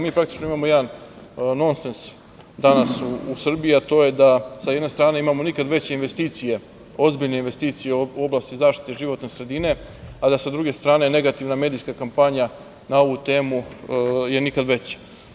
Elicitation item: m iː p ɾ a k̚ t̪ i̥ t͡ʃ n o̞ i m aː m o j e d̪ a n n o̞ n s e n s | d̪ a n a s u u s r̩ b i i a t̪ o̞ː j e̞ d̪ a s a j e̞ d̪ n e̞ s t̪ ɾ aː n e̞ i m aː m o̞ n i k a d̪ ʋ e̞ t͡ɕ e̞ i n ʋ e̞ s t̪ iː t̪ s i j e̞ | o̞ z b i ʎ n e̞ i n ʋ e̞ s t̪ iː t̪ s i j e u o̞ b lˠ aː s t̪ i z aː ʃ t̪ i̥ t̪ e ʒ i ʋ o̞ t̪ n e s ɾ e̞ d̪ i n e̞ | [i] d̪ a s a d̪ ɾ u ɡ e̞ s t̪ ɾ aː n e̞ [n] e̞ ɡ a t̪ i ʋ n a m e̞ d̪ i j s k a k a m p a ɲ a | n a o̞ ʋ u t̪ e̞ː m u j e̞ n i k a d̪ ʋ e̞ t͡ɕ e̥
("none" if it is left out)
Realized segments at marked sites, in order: a, n

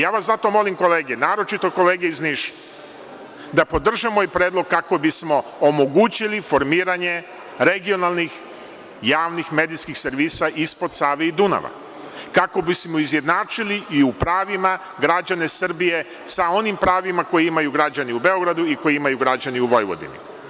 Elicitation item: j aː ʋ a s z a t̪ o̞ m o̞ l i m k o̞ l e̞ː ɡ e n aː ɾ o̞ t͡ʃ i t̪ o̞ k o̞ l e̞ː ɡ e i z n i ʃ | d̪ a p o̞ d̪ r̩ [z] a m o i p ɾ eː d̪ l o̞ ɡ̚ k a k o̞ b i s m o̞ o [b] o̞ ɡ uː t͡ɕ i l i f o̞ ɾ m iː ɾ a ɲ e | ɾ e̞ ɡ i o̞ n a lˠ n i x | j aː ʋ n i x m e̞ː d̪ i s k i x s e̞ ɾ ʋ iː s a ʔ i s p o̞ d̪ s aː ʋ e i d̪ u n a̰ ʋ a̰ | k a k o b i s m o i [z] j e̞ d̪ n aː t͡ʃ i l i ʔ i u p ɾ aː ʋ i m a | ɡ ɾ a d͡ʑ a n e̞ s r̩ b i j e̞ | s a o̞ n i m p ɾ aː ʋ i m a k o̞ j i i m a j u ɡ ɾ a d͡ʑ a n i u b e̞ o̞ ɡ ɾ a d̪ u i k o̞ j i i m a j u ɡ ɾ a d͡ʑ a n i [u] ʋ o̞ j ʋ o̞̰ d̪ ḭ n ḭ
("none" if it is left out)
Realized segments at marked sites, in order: ʒ, m, z, u

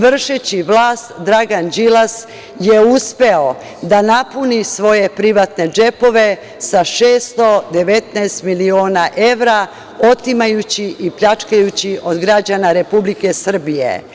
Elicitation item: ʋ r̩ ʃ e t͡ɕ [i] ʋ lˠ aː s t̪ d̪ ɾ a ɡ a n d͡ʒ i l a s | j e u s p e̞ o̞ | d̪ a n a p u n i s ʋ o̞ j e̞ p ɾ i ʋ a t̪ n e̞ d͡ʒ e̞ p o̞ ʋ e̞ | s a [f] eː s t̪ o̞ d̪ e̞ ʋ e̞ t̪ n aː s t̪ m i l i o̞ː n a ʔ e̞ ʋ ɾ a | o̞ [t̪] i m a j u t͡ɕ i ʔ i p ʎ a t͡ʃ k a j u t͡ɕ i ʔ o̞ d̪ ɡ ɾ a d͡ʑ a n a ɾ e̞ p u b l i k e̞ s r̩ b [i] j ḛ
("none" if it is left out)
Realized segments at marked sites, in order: i, ʃ, t̪, i

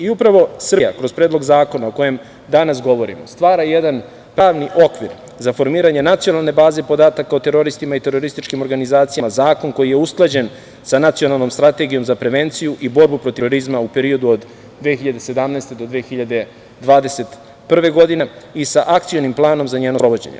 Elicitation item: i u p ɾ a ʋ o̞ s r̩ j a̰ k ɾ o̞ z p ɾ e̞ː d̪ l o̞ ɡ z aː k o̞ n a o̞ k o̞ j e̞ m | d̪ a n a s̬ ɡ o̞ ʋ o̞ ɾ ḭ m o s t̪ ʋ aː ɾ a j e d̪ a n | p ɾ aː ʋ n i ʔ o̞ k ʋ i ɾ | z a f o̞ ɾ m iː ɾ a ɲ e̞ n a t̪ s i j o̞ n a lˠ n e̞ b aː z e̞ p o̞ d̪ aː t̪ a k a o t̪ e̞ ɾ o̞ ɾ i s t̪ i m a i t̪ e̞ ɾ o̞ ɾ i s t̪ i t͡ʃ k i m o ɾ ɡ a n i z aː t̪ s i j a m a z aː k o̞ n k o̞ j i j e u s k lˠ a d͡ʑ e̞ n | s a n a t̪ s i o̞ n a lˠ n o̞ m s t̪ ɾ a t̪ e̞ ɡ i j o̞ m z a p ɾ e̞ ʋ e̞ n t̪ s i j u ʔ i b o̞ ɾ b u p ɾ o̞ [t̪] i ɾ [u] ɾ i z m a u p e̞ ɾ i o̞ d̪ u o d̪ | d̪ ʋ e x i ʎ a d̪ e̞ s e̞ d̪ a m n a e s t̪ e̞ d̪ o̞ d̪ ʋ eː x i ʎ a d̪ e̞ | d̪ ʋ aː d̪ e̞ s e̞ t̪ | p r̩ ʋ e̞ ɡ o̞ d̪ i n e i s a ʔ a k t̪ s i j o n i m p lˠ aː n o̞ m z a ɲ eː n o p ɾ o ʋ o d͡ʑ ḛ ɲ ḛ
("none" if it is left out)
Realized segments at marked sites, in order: t̪, o

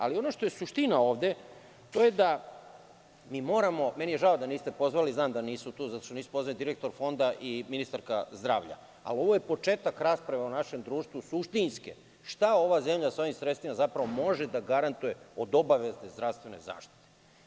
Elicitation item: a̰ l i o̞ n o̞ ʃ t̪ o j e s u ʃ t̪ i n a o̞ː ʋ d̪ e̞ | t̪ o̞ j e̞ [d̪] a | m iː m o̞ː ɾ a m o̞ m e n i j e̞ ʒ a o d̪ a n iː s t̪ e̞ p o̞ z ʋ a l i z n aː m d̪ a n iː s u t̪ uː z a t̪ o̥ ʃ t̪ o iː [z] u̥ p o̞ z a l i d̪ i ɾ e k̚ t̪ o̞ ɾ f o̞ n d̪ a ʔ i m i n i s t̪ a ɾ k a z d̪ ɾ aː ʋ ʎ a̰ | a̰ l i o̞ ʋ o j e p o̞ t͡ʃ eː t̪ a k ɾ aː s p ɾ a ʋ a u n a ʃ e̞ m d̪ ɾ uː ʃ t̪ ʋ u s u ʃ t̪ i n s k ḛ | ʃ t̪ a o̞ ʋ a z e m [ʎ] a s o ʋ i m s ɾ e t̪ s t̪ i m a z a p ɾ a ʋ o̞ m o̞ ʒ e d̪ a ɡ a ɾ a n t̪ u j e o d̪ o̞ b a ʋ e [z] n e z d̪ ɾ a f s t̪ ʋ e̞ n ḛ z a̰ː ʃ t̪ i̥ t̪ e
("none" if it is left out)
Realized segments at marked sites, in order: d̪, s, ʎ, z

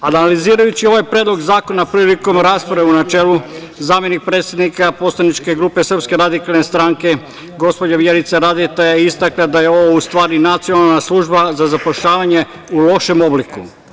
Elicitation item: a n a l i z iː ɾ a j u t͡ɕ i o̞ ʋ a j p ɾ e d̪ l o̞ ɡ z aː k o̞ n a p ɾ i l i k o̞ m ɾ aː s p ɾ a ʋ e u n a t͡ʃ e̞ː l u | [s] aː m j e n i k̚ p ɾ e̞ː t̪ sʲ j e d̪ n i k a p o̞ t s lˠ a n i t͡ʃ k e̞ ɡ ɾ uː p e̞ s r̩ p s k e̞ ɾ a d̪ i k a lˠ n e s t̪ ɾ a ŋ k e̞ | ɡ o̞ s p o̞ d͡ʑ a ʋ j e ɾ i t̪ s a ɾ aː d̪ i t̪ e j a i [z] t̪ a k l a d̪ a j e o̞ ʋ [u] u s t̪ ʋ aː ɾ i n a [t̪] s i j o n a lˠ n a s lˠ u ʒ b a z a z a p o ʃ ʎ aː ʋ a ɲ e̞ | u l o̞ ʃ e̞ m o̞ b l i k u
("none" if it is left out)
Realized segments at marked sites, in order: z, s, o, t̪

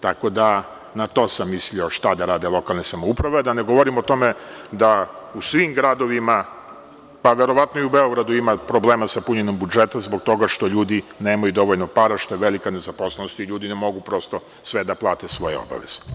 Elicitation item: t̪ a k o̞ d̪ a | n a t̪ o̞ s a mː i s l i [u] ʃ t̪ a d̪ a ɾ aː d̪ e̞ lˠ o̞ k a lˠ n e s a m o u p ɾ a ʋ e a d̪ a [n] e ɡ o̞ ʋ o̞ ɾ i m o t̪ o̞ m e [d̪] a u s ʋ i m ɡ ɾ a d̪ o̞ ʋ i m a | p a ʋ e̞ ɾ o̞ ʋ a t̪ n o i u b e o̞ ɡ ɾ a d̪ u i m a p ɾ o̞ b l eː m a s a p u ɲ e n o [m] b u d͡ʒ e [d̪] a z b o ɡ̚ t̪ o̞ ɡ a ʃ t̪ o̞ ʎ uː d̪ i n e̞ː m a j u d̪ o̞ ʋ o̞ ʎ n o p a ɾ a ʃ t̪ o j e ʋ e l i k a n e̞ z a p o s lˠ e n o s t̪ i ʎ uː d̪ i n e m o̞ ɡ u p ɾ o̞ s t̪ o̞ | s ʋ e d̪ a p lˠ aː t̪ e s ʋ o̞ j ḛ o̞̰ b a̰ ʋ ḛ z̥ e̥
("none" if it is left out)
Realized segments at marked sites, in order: o, n, d̪, m, t̪

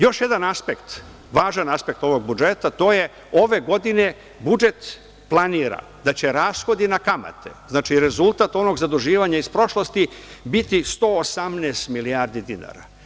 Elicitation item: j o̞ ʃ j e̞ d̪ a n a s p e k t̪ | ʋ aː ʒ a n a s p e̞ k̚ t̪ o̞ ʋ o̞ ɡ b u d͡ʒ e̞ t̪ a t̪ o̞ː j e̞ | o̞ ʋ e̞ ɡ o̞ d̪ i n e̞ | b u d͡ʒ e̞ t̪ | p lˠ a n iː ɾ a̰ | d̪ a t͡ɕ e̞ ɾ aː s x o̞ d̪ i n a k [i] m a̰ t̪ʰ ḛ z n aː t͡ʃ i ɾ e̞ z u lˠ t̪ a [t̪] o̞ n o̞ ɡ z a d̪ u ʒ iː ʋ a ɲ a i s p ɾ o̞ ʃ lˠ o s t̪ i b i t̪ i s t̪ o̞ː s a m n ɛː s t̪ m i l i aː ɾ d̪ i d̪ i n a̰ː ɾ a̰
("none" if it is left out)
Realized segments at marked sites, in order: a, t̪

